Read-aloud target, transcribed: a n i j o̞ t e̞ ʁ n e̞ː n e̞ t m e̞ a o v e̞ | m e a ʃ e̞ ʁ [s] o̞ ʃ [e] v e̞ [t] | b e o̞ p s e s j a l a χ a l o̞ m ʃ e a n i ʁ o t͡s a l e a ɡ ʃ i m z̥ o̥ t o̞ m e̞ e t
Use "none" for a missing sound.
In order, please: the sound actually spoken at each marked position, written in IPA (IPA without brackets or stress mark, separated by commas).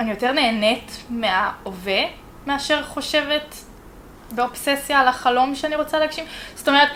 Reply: χ, e, t